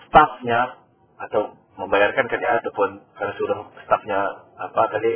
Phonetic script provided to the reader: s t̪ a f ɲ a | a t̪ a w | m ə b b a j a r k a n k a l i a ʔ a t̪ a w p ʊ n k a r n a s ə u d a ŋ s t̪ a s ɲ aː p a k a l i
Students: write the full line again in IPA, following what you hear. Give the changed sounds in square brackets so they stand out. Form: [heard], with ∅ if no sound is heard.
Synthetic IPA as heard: s t̪ a f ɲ a | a t̪ a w | m ə [m] b a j a r k a n k a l i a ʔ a t̪ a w p ʊ n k a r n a s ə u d a ŋ s t̪ a [f] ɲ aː p a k a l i